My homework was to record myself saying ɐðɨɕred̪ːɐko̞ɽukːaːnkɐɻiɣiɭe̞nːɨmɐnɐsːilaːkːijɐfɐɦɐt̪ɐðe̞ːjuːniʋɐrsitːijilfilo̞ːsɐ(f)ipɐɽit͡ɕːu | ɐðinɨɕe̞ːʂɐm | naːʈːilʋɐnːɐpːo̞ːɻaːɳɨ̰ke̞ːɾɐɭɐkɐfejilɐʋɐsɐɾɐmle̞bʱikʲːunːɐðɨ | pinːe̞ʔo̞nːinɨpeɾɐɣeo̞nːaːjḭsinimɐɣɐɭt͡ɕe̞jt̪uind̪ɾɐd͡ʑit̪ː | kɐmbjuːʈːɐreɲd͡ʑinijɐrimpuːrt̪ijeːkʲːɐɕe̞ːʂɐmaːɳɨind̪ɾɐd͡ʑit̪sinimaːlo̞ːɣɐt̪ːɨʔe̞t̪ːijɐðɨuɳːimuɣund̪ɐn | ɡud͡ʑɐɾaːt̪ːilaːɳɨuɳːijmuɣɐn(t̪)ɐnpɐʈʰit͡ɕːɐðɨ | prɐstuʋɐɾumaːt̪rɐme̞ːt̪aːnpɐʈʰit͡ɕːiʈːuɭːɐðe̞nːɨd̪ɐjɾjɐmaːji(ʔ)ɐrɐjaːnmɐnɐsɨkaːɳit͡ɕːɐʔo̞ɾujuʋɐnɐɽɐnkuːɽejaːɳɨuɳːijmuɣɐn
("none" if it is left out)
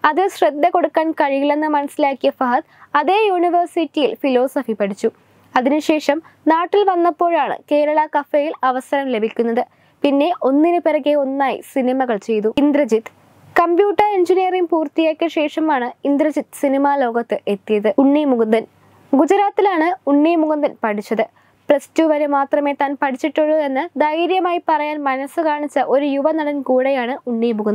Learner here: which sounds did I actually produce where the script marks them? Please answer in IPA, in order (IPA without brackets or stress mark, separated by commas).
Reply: f, d̪, p